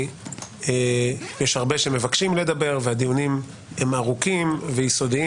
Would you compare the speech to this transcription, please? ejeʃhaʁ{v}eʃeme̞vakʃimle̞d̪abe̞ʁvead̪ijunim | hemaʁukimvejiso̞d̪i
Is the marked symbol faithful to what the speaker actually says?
no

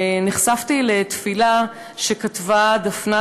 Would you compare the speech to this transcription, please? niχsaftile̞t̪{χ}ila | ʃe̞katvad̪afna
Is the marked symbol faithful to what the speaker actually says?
no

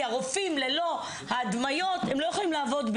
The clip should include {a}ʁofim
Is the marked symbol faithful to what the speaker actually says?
yes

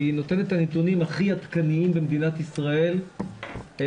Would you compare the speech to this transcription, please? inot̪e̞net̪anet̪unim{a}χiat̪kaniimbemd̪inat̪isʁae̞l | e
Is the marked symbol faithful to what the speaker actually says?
yes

